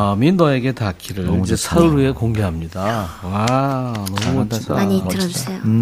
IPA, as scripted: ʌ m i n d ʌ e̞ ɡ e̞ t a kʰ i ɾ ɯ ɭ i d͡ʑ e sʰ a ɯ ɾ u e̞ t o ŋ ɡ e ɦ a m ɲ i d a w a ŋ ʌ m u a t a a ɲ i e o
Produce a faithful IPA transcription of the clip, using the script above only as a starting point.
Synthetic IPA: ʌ m i n d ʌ e̞ ɡ e̞ t a kʰ i ɾ ɯ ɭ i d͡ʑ e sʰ a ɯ ɾ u e̞ k o ŋ ɡ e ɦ a m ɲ i d a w a n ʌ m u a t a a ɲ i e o